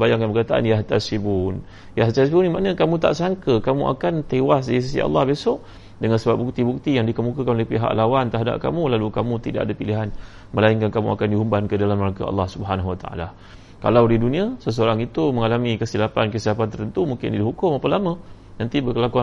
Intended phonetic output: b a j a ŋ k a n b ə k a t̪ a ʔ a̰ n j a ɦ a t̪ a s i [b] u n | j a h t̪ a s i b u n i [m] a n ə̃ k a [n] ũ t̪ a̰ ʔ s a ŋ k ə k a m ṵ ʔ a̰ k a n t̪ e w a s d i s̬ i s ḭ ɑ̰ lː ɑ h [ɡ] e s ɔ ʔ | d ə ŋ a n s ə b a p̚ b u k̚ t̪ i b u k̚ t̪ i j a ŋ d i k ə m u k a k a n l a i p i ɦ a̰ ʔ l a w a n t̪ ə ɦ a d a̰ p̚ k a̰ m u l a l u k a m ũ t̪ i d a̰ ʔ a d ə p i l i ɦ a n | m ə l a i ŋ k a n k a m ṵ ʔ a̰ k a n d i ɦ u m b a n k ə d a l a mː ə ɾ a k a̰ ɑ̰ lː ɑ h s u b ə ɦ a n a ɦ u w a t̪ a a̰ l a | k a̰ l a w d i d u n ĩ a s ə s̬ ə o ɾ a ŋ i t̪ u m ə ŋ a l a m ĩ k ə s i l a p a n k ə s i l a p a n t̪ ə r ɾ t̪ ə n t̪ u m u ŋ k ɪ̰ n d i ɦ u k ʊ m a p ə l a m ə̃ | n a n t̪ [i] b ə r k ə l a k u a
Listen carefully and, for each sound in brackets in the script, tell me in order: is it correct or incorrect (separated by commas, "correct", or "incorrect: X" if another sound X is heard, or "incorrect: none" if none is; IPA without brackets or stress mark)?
correct, correct, incorrect: m, incorrect: b, correct